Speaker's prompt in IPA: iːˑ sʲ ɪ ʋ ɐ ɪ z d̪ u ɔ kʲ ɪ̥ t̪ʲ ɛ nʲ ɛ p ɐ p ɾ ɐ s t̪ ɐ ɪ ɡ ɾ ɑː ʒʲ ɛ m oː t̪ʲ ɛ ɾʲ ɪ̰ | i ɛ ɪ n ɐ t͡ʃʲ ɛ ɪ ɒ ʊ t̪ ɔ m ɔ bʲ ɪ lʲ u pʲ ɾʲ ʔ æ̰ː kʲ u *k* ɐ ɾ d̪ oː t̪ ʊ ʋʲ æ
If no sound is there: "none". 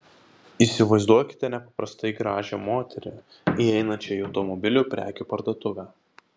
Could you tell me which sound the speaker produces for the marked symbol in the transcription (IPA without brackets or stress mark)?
p